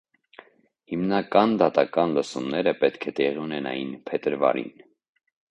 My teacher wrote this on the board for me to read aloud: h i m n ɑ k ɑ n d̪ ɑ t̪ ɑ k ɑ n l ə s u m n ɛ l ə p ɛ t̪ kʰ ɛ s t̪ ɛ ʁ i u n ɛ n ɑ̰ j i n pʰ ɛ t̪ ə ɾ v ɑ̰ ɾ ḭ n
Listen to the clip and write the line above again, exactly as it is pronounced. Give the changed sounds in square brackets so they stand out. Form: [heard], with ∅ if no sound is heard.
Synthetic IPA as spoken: h i m n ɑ k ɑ n d̪ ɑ t̪ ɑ k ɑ n l ə s u m n ɛ [ɾ] ə p ɛ t̪ kʰ ɛ [∅] t̪ ɛ ʁ i u n ɛ n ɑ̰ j i n pʰ ɛ t̪ ə ɾ v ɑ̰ ɾ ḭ n